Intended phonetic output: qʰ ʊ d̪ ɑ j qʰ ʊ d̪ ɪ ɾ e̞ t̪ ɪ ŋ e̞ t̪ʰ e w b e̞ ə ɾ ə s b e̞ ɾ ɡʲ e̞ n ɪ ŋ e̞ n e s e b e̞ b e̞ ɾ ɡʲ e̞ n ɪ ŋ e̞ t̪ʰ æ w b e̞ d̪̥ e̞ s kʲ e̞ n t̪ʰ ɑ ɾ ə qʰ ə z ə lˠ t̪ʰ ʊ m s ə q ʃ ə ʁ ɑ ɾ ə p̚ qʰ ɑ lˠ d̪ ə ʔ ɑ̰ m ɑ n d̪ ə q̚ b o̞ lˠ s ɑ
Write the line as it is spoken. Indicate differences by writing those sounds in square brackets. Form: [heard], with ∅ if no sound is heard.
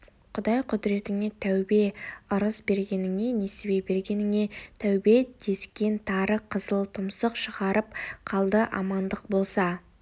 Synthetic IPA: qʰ ʊ d̪ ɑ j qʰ ʊ d̪ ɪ ɾ e̞ t̪ ɪ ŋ e̞ t̪ʰ [æ] w b e̞ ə ɾ ə s b e̞ ɾ ɡʲ e̞ n ɪ ŋ e̞ n e s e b e̞ b e̞ ɾ ɡʲ e̞ n ɪ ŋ e̞ t̪ʰ æ w b e̞ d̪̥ e̞ s kʲ e̞ n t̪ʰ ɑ ɾ ə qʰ ə z ə lˠ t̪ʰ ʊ m s ə q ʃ ə ʁ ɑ ɾ ə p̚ qʰ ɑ lˠ d̪ ə ʔ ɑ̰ m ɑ n d̪ ə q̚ b o̞ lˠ s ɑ